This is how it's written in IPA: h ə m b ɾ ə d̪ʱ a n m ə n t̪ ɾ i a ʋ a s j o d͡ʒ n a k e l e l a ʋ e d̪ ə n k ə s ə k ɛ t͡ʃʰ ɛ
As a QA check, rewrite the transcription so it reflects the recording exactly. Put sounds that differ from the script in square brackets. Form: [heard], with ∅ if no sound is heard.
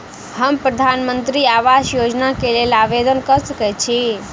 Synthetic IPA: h ə m [p] ɾ ə d̪ʱ a n m ə n t̪ ɾ i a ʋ a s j o d͡ʒ n a k e l e l a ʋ e d̪ ə n k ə s ə k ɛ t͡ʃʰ [i]